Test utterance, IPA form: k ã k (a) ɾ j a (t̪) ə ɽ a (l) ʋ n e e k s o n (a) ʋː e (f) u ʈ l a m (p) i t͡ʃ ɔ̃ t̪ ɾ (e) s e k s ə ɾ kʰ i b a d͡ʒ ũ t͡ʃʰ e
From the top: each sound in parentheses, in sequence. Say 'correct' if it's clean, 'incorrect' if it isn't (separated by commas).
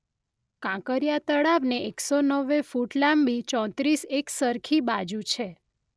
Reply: incorrect, correct, incorrect, incorrect, correct, incorrect, incorrect